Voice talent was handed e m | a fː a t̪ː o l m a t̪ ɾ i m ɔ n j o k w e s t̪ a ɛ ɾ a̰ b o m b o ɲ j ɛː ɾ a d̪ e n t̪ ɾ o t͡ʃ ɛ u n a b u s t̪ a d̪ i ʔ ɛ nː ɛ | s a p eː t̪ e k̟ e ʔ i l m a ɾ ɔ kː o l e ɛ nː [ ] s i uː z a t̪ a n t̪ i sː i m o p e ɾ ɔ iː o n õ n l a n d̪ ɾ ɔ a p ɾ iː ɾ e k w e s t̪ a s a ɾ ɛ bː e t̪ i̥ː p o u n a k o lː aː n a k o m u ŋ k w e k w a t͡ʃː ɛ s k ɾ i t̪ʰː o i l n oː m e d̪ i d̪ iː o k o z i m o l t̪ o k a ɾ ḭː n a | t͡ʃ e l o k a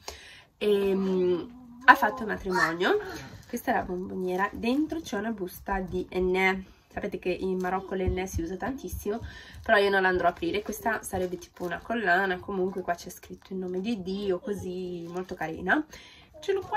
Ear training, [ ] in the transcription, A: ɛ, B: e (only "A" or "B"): A